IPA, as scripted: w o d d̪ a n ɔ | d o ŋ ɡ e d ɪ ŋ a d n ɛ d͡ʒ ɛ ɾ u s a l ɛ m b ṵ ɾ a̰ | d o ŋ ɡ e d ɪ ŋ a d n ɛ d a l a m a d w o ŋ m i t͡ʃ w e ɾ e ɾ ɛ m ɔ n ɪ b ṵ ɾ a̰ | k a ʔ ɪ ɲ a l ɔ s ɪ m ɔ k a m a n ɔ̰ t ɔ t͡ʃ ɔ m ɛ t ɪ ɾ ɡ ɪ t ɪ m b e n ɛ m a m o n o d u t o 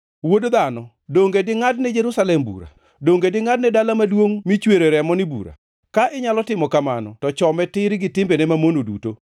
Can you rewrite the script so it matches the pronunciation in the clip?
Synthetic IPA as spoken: w o d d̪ a n ɔ | d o ŋ ɡ e d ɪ ŋ a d n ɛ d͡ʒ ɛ ɾ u s a l ɛ m b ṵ ɾ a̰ | d o ŋ ɡ e d ɪ ŋ a d n ɛ d a l a m a d w o ŋ m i t͡ʃ w e ɾ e ɾ ɛ m ɔ n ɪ b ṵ ɾ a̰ | k a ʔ ɪ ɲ a l ɔ t ɪ m ɔ k a m a n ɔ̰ t ɔ t͡ʃ ɔ m ɛ t ɪ ɾ ɡ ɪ t ɪ m b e n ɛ m a m o n o d u t o

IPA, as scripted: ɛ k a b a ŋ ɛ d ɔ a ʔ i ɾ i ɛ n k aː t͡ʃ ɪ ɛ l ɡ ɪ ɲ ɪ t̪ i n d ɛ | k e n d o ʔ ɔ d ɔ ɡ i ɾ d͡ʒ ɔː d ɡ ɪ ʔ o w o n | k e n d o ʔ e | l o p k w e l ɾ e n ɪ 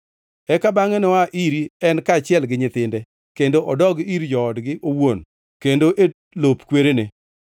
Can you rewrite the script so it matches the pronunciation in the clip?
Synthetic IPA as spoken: ɛ k a b a ŋ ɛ n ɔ a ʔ i ɾ i ɛ n k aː t͡ʃ ɪ ɛ l ɡ ɪ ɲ ɪ t̪ ɪ n d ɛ | k e n d o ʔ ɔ d ɔ ɡ i ɾ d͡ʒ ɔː d ɡ ɪ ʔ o w o n | k e n d o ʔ e | l o p k w e ɾ e n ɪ

